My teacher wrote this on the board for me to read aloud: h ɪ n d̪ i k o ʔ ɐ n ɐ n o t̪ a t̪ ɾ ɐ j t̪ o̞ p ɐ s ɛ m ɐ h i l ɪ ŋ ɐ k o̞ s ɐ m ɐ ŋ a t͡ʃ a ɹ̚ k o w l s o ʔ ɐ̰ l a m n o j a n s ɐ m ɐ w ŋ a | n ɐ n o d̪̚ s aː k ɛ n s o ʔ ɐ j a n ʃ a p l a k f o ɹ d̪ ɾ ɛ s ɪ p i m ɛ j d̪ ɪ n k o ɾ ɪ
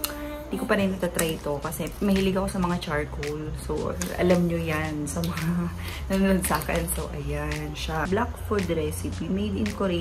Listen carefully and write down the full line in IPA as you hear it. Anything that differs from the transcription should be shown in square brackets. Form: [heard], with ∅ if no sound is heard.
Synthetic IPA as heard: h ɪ n d̪ i k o [p] ɐ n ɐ n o t̪ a t̪ ɾ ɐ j t̪ o̞ [k] ɐ s ɛ m ɐ h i l ɪ [ɡ] ɐ k o̞ s ɐ m ɐ ŋ a t͡ʃ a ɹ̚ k o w l s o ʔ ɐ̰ l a m [ɲ] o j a n s ɐ m ɐ [∅] ŋ a | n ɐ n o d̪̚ s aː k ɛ n s o ʔ ɐ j a n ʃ a [b] l a k f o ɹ d̪ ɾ ɛ s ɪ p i m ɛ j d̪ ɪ n k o ɾ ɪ